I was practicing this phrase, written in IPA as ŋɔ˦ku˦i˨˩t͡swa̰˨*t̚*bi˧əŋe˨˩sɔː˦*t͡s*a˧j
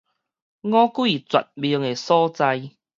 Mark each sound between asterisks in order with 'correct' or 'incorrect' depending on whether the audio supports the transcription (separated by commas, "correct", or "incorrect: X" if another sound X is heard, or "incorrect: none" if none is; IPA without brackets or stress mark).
correct, correct